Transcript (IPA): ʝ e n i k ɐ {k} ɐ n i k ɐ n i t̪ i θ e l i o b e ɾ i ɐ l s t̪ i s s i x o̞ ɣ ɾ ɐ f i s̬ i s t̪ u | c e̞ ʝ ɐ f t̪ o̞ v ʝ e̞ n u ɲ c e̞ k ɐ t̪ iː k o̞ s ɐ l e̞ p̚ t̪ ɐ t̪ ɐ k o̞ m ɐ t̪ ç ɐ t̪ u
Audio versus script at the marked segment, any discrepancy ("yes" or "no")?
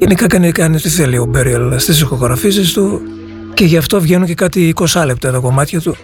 no